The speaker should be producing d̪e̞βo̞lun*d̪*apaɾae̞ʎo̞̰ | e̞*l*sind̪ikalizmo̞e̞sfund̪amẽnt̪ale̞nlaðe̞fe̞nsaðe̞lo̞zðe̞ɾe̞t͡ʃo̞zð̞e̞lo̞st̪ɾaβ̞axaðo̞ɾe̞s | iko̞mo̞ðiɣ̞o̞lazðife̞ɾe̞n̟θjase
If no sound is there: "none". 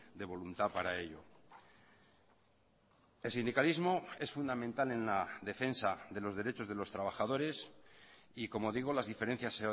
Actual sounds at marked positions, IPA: t̪, l

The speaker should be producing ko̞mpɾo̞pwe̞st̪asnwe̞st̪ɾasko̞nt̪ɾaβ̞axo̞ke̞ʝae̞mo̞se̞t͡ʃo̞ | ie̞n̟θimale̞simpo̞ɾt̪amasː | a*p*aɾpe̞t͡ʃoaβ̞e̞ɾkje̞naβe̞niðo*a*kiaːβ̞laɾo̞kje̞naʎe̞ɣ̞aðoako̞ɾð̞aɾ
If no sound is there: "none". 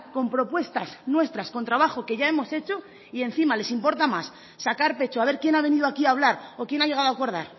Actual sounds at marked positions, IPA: k, a

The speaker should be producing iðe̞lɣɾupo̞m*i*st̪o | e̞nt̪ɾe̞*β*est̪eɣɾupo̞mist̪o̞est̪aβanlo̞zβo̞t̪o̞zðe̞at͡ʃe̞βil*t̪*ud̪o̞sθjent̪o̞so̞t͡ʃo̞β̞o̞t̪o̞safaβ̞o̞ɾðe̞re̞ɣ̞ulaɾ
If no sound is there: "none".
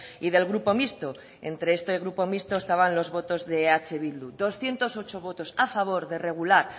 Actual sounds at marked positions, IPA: i, none, d̪

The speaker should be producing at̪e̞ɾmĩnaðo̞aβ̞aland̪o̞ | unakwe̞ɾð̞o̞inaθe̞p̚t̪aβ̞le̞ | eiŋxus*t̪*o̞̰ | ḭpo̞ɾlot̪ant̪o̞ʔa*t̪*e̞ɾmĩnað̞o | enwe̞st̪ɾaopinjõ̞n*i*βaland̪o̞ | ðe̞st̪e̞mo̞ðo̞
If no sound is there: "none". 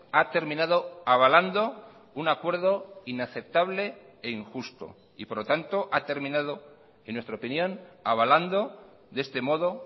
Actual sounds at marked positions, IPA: t̪, t̪, a

